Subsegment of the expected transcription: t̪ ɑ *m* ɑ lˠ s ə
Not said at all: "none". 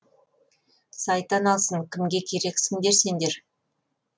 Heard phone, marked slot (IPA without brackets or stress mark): n